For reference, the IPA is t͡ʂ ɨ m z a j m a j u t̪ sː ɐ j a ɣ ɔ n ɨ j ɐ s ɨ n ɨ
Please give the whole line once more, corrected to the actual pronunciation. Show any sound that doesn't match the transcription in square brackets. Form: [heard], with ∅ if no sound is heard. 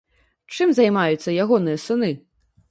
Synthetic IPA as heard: t͡ʂ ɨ m z a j m a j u t̪ sː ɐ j a ɣ ɔ n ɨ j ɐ s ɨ n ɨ